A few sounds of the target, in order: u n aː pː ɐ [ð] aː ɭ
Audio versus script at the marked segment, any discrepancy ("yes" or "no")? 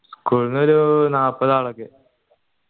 no